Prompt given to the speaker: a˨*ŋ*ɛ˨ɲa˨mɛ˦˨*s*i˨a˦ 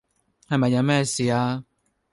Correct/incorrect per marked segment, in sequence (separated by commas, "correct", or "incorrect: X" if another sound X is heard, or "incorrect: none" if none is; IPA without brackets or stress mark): incorrect: m, correct